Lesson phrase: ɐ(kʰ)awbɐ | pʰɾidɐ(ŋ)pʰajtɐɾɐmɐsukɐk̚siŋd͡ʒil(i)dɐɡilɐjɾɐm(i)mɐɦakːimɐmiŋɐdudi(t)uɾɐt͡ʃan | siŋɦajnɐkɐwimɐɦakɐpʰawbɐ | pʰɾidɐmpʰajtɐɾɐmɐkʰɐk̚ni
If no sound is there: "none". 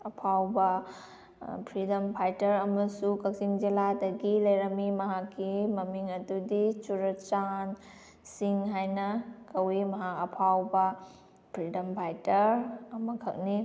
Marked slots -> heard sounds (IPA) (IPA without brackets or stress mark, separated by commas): pʰ, m, a, i, t͡ʃ